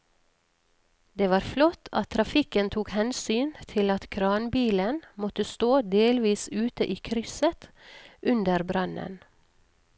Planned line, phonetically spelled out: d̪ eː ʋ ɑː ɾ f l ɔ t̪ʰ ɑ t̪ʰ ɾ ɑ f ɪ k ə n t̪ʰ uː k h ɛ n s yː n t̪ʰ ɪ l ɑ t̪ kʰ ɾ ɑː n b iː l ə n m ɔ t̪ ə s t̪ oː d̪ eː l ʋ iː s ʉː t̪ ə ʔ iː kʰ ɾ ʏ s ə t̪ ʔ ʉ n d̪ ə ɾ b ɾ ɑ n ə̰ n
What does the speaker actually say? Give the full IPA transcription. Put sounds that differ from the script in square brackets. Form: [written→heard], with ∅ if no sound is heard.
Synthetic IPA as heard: d̪ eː ʋ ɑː ɾ f l ɔ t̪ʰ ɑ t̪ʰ ɾ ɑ f ɪ k ə n t̪ʰ uː k h ɛ n s yː n t̪ʰ ɪ l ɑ t̪ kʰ ɾ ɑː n b iː l ə n m ɔ t̪ ə s t̪ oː d̪ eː l ʋ iː s ʉː t̪ ə ʔ iː kʰ ɾ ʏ s ə t̪ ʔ ʉ n d̪ ə ɾ b ɾ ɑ n ə̰ n